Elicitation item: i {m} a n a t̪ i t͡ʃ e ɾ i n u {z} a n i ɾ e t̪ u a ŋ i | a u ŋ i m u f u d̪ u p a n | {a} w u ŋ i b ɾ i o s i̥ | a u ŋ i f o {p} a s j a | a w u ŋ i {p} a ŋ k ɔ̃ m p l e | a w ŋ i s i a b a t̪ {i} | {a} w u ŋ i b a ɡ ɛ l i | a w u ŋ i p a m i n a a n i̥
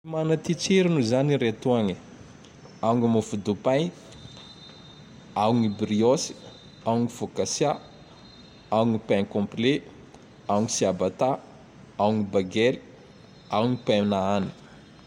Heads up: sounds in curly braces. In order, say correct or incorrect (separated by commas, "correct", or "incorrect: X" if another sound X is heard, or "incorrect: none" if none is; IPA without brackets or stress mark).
correct, correct, correct, incorrect: k, correct, incorrect: a, correct